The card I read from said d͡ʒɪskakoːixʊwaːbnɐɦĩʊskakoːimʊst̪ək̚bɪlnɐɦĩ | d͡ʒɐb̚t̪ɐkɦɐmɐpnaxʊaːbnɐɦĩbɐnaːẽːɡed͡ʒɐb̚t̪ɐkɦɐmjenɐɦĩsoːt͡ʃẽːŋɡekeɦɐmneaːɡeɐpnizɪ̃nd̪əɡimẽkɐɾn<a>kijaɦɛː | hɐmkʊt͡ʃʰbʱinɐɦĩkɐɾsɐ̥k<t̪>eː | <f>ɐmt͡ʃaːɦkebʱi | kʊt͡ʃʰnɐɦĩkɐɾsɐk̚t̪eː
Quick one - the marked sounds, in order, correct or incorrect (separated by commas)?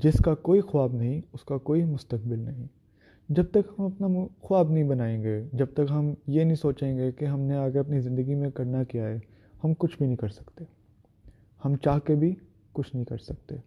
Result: correct, correct, incorrect